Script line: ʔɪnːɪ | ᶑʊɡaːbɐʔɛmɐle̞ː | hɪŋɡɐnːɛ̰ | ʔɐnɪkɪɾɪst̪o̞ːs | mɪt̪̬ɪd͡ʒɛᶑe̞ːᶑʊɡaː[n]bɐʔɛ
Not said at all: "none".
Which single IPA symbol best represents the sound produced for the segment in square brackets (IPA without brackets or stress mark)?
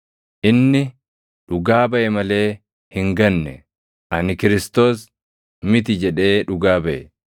none